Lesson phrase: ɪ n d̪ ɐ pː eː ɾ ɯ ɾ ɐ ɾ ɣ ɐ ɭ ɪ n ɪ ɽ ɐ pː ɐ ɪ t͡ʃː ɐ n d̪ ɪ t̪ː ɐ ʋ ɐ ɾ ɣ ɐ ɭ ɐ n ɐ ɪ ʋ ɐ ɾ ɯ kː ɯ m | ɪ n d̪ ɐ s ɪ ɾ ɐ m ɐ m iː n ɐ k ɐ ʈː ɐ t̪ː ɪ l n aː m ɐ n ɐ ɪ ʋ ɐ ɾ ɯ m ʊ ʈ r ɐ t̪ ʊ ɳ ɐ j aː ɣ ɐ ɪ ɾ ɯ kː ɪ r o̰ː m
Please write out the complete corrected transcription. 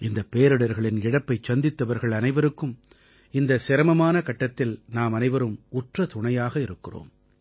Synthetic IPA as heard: ɪ n d̪ ɐ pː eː ɾ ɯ ɽ ɐ ɾ ɣ ɐ ɭ ɪ n ɪ ɽ ɐ pː ɐ ɪ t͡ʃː ɐ n d̪ ɪ t̪ː ɐ ʋ ɐ ɾ ɣ ɐ ɭ ɐ n ɐ ɪ ʋ ɐ ɾ ɯ kː ɯ m | ɪ n d̪ ɐ s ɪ ɾ ɐ m ɐ m aː n ɐ k ɐ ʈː ɐ t̪ː ɪ l n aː m ɐ n ɐ ɪ ʋ ɐ ɾ ɯ m ʊ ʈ r ɐ t̪ ʊ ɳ ɐ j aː ɣ ɐ ɪ ɾ ɯ kː ɪ r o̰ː m